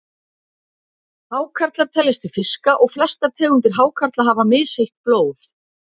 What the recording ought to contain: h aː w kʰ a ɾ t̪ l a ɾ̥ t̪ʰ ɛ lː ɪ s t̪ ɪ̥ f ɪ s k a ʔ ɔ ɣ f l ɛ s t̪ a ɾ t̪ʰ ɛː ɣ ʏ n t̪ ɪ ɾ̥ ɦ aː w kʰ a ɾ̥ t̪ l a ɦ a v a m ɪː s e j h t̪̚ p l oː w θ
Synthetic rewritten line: h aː w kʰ a ɾ t̪ l a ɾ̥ t̪ʰ ɛ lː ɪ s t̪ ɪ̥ f ɪ s k a ʔ ɔ ɣ f l ɛ s t̪ a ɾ t̪ʰ ɛː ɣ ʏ n t̪ ɪ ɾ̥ ɦ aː w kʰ a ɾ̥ t̪ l a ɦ a v a m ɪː s e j h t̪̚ p l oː w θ